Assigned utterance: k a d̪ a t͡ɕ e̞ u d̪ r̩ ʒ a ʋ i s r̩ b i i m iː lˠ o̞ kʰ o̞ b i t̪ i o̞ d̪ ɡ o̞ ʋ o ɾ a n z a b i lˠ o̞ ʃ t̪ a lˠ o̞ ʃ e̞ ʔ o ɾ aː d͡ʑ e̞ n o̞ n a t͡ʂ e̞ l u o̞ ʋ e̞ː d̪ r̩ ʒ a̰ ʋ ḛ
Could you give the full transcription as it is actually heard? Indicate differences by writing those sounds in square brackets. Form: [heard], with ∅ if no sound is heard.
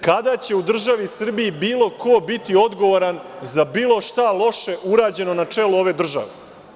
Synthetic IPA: k a d̪ a t͡ɕ e̞ u d̪ r̩ ʒ a ʋ i s r̩ b i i [b] iː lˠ o̞ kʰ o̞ b i t̪ i o̞ d̪ ɡ o̞ ʋ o ɾ a n z a b [iː] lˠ o̞ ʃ t̪ a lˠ o̞ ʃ e̞ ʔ [u] ɾ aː d͡ʑ e̞ n o̞ n a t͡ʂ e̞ l u o̞ ʋ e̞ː d̪ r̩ ʒ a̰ ʋ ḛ